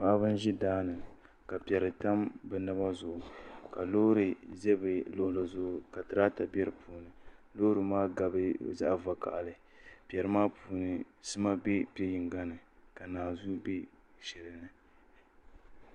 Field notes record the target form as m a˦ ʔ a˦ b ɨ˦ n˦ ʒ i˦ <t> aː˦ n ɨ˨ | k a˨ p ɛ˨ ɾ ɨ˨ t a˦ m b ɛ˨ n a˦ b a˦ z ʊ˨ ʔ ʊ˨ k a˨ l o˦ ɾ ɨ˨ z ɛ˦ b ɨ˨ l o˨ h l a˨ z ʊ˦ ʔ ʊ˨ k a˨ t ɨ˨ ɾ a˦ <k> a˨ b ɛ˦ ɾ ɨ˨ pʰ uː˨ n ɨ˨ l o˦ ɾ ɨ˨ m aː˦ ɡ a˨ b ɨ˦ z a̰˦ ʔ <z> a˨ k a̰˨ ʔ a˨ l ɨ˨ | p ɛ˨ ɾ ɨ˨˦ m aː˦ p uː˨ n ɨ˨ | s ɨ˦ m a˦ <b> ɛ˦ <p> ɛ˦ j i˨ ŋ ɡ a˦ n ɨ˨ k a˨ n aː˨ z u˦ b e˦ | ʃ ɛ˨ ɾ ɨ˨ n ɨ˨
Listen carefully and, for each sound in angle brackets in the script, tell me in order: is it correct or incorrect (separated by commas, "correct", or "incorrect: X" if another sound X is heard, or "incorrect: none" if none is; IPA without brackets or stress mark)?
incorrect: d, incorrect: t, incorrect: v, correct, correct